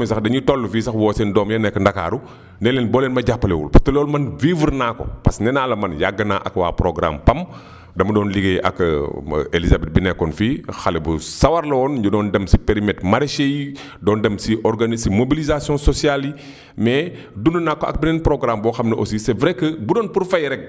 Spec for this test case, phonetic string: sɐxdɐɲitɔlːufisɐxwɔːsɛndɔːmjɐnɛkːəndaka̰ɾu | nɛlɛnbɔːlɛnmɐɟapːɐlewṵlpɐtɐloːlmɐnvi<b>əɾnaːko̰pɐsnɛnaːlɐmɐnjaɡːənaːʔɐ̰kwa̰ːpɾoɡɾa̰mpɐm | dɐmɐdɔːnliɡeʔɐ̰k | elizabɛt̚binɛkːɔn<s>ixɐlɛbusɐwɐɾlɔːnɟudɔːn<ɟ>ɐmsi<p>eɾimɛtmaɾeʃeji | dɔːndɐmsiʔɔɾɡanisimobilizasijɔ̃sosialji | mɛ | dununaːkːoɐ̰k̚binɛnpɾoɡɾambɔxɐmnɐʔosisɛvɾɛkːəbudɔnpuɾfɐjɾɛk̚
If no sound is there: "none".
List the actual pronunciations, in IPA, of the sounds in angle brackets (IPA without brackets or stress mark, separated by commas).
v, f, d, p